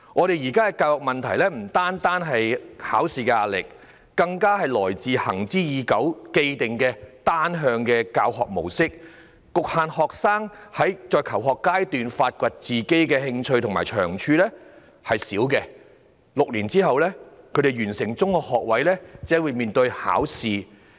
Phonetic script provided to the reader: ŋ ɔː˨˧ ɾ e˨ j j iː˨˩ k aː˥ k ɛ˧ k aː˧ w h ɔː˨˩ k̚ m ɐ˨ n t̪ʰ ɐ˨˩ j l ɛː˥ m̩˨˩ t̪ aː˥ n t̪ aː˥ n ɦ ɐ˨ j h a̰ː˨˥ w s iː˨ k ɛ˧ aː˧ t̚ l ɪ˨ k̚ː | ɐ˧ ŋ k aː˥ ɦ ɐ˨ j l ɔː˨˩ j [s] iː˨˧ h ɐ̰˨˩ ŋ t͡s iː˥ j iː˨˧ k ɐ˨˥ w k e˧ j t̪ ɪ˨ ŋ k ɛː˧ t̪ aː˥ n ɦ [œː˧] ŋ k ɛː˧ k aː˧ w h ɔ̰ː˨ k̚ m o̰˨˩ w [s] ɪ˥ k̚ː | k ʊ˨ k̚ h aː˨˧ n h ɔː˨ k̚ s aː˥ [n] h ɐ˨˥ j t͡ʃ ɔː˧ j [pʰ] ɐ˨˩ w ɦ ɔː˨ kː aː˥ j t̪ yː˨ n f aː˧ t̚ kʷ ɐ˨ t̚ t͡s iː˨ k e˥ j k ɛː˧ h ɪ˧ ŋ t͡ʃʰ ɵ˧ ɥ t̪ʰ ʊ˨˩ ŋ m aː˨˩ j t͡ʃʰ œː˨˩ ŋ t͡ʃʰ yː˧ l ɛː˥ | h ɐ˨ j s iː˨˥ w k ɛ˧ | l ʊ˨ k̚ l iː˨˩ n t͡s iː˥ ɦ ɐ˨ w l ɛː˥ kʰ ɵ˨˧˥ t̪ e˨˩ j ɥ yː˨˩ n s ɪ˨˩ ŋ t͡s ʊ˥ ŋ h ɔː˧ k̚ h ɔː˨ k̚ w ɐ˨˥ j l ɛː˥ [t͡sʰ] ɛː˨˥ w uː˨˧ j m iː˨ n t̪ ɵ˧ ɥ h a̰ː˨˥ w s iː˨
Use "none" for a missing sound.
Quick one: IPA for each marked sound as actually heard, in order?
t͡s, œː˧, s, ŋ, kʰ, t͡s

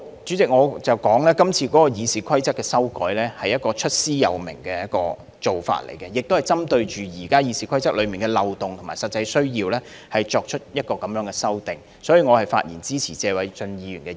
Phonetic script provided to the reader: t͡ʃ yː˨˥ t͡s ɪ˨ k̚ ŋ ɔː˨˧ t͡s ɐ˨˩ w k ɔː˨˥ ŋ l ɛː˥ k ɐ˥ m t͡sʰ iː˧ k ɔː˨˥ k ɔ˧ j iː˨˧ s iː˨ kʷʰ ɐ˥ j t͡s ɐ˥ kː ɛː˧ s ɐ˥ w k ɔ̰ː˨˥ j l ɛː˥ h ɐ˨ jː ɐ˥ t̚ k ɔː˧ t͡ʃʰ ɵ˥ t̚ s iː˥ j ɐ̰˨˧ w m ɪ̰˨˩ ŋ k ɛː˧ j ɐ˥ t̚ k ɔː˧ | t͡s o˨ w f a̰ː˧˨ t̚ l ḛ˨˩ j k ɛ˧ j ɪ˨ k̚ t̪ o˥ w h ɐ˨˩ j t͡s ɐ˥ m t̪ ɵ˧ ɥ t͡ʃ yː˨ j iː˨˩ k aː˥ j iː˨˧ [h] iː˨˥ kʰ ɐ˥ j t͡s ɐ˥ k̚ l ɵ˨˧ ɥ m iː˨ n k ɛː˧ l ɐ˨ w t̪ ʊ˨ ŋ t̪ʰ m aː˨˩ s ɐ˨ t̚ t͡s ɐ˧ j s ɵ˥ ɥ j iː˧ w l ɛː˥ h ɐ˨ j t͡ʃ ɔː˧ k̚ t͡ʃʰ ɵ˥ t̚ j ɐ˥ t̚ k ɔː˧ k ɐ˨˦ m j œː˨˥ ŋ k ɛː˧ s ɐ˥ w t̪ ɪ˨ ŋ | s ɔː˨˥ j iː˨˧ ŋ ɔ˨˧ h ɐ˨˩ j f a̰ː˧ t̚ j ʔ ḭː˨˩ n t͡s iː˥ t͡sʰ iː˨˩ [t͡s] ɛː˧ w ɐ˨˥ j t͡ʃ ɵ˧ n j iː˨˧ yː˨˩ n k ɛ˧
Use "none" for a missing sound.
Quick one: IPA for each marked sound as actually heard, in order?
s, t͡s

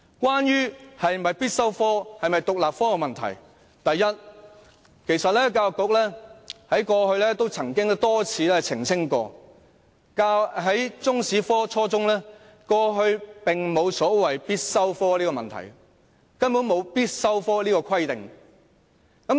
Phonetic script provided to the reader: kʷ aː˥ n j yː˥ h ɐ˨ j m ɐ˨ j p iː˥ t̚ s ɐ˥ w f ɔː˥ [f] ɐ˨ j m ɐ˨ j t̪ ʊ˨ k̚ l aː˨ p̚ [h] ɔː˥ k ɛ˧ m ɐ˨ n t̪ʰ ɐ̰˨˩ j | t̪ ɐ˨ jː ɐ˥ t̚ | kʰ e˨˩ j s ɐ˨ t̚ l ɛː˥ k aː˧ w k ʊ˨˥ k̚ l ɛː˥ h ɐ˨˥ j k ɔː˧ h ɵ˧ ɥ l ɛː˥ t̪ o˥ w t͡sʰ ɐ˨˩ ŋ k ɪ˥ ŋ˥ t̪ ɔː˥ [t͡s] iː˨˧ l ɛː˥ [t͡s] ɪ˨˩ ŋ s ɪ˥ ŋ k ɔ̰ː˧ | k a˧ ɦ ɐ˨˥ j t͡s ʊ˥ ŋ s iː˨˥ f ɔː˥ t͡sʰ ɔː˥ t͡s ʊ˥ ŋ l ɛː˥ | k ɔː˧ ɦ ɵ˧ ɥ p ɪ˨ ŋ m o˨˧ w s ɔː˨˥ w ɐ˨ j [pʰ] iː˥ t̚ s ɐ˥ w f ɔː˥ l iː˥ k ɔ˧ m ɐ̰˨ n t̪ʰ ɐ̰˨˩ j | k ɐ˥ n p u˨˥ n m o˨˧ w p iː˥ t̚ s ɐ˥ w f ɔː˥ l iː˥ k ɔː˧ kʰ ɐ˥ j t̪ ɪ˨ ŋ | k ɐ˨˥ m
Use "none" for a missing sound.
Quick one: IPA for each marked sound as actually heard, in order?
h, f, t͡sʰ, t͡sʰ, p

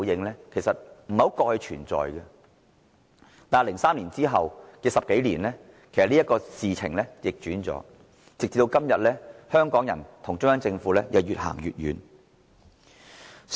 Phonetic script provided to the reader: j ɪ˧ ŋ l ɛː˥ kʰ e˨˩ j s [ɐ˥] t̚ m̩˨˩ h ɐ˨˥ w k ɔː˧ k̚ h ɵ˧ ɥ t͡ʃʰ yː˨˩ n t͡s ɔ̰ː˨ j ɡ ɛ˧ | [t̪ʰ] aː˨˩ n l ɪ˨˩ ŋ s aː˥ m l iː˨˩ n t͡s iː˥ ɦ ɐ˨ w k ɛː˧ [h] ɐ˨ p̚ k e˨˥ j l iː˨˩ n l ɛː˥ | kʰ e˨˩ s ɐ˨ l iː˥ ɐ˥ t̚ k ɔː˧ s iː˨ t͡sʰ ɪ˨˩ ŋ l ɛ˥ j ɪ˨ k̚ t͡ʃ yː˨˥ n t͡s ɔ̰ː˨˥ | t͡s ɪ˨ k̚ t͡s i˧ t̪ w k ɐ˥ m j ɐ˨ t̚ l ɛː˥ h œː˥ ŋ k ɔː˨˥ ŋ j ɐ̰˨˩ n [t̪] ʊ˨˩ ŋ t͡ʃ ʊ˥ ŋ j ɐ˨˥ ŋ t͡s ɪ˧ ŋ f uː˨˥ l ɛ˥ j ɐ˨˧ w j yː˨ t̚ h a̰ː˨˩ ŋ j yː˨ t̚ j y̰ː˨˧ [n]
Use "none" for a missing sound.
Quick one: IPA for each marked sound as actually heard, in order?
ɐ˨, t̪, s, t̪ʰ, n

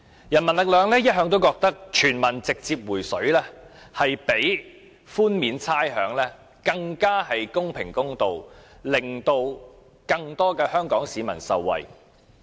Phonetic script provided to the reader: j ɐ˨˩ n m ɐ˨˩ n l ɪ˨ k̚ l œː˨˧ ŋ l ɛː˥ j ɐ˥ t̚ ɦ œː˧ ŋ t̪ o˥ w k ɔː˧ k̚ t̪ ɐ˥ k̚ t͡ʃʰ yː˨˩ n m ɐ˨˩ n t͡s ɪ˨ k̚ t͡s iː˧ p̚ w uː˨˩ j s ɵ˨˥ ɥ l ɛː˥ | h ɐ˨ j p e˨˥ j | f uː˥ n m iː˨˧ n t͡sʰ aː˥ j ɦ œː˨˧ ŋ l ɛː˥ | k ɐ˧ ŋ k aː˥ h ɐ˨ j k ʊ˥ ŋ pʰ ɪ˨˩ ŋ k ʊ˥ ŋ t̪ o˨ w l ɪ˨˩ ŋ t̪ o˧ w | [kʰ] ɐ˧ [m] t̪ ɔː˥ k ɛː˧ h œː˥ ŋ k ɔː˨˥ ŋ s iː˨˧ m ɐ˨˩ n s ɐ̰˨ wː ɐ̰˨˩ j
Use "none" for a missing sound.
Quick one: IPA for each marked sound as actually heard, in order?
k, ŋ

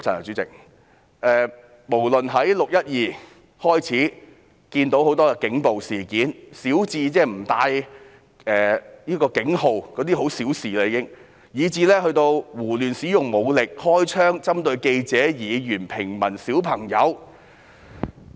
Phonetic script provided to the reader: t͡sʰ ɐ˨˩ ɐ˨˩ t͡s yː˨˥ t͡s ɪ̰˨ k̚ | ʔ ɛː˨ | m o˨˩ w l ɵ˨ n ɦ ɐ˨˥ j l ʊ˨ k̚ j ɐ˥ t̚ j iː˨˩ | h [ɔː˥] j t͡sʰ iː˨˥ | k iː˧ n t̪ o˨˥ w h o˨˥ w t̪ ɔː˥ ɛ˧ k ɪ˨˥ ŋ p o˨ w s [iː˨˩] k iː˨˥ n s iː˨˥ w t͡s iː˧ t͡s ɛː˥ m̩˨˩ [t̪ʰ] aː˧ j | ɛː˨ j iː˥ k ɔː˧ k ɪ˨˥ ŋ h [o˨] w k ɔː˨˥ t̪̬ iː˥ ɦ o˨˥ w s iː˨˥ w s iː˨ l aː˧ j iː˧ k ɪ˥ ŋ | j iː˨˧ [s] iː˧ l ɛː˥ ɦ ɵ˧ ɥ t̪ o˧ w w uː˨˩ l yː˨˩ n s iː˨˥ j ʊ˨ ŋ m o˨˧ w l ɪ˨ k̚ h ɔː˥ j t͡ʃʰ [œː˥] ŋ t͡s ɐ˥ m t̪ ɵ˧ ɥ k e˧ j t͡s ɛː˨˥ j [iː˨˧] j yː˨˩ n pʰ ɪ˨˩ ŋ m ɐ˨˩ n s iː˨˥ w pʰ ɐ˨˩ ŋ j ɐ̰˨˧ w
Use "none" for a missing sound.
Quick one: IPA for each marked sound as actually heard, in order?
ɔː˥, iː˨˩, t̪, o˨, t͡s, œː˥, iː˨˧

